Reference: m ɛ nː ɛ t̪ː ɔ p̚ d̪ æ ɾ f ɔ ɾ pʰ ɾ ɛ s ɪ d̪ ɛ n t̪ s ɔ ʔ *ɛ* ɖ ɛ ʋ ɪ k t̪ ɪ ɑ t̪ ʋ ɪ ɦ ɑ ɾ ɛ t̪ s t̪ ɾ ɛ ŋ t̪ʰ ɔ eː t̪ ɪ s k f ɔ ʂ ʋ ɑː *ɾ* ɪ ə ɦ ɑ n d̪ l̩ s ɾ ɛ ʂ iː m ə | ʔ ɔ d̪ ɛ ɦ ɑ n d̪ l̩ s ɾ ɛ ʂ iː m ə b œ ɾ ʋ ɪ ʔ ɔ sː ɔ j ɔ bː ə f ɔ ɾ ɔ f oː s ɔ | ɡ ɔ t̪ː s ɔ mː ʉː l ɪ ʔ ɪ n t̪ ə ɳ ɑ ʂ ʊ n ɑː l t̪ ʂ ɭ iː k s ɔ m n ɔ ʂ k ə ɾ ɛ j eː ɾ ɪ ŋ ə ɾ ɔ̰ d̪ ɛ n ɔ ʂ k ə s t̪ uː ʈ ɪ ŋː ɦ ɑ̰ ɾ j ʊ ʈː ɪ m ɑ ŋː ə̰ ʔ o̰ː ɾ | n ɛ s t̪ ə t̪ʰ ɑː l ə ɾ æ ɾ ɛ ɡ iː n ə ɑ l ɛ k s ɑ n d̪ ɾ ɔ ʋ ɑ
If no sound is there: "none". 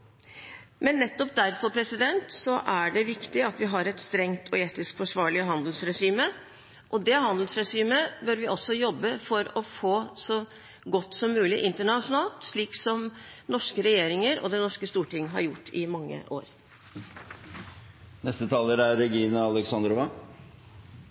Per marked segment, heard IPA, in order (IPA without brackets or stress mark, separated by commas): æ, ɭ